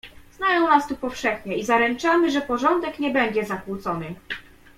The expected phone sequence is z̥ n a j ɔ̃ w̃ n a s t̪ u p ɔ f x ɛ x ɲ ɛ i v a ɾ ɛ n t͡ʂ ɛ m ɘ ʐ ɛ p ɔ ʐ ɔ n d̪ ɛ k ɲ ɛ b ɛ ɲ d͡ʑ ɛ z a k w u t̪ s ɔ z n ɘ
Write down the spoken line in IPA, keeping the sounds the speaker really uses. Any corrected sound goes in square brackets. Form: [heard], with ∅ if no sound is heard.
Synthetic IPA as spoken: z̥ n a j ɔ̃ w̃ n a s t̪ u p ɔ f [ʂ] ɛ x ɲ ɛ i [z] a ɾ ɛ n t͡ʂ [a] m ɘ ʐ ɛ p ɔ ʐ ɔ n d̪ ɛ k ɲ ɛ b ɛ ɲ d͡ʑ ɛ z a k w u t̪ s ɔ [∅] n ɘ

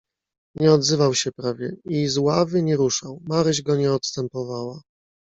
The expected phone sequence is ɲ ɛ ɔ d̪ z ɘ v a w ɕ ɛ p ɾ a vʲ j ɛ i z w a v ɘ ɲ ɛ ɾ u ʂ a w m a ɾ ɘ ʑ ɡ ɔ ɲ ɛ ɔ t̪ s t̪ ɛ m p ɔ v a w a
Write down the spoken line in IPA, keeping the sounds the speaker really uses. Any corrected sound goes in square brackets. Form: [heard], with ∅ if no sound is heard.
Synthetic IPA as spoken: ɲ ɛ ɔ d̪ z ɘ v a w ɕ ɛ p ɾ a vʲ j ɛ i z w a v ɘ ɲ ɛ ɾ u ʂ a w m a ɾ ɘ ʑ ɡ ɔ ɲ ɛ ɔ t̪ s t̪ ɛ m p ɔ v a w a

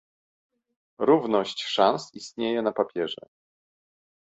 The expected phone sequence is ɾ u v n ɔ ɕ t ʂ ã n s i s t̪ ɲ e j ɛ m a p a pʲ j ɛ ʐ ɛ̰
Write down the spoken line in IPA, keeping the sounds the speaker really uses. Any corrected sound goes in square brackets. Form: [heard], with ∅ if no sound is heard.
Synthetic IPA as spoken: ɾ u v n ɔ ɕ [t͡ɕ] ʂ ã n s i s t̪ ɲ e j ɛ [n] a p a pʲ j ɛ ʐ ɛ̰

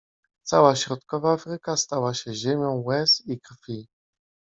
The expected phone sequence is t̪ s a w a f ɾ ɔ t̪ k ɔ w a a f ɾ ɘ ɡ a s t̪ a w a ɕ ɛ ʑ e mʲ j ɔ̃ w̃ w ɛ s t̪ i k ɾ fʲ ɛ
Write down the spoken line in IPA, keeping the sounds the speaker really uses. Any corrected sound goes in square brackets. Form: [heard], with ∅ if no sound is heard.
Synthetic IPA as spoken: t̪ s a w a [ɕ] ɾ ɔ t̪ k ɔ [v] a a f ɾ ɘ [k] a s t̪ a w a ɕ ɛ ʑ e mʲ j ɔ̃ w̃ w ɛ s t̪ i k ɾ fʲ [i]

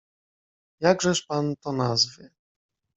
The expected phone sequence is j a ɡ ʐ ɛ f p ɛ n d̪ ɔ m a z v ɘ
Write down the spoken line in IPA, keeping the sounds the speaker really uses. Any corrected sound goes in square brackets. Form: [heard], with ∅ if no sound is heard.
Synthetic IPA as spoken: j a ɡ ʐ ɛ [ʂ] p [a] n [t̪] ɔ [n] a z v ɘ

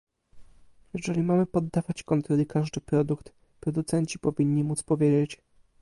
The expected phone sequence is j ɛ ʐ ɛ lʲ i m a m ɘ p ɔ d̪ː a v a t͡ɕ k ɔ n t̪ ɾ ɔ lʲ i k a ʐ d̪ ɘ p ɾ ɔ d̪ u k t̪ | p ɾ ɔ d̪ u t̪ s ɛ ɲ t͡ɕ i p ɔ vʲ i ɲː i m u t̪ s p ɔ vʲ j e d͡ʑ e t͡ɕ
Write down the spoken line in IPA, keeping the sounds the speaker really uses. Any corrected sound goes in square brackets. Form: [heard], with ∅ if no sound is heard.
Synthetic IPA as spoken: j ɛ ʐ ɛ lʲ i m a m ɘ p ɔ d̪ː a v a t͡ɕ k ɔ n t̪ ɾ ɔ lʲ i k a ʐ d̪ ɘ p ɾ ɔ d̪ u k t̪ | p ɾ ɔ d̪ u t̪ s ɛ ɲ t͡ɕ i p ɔ vʲ i ɲː i m u t̪ s p ɔ vʲ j e d͡ʑ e t͡ɕ

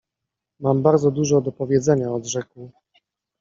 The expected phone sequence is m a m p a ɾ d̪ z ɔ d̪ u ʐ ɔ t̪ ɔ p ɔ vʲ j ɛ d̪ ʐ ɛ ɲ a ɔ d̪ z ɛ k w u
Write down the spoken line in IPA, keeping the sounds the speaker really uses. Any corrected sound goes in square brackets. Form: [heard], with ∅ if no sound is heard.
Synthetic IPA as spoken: m a m [b] a ɾ d̪ z ɔ d̪ u ʐ ɔ [d̪] ɔ p ɔ vʲ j ɛ d̪ [z] ɛ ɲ a ɔ d̪ [ʐ] ɛ k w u

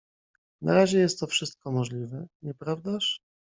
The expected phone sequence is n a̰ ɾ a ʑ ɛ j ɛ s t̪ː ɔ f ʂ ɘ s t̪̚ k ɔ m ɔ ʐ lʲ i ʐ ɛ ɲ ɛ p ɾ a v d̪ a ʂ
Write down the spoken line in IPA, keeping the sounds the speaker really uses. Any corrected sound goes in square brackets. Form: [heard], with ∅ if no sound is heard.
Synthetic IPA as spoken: n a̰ ɾ a ʑ ɛ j ɛ s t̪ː ɔ f ʂ ɘ s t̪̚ k ɔ m ɔ ʐ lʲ i [v] ɛ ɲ ɛ p ɾ a v d̪ a ʂ

